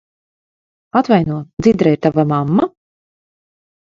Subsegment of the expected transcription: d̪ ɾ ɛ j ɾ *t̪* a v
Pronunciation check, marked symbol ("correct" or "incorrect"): correct